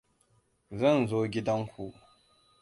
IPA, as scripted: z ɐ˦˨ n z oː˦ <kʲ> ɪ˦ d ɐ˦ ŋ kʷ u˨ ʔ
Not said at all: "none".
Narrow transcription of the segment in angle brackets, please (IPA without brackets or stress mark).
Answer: ɡʲ